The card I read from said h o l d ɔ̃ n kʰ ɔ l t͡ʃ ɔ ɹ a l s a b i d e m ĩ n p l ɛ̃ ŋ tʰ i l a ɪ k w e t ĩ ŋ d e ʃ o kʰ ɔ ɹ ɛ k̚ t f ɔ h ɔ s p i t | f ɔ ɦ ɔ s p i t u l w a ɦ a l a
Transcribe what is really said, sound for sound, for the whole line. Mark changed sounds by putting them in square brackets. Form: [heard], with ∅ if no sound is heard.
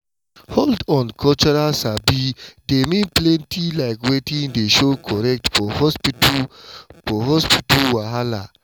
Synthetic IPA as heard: h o l d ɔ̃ n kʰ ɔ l t͡ʃ ɔ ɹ a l s a b i d e m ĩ n p l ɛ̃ [n] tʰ i l a ɪ k w e t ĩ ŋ d e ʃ o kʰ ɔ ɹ ɛ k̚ t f ɔ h ɔ s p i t | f ɔ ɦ ɔ s p i t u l w a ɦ a l a